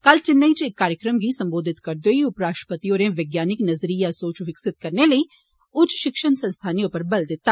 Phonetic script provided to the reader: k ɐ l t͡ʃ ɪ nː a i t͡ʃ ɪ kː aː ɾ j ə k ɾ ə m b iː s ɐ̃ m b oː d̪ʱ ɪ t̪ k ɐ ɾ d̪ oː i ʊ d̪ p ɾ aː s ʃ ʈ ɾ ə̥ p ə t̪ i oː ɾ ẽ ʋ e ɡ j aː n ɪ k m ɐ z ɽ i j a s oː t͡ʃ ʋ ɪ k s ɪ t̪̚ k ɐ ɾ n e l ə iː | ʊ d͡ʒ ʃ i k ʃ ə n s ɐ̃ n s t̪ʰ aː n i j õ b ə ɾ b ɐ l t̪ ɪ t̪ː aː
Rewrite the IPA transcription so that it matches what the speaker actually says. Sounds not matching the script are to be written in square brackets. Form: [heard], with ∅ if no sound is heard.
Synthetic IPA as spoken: k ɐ l t͡ʃ ɪ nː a i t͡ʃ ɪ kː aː ɾ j ə k ɾ ə m [ɡ] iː s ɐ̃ m b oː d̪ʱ ɪ t̪ k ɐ ɾ d̪ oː i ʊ [∅] p ɾ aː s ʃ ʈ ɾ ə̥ p ə t̪ i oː ɾ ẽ ʋ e ɡ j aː n ɪ k [n] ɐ z [ɾ] i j a s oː t͡ʃ ʋ ɪ k s ɪ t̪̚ k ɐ ɾ n e l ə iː | ʊ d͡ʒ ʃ [ɪ] k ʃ ə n s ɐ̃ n s t̪ʰ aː n i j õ [p] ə ɾ b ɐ l [d̪] ɪ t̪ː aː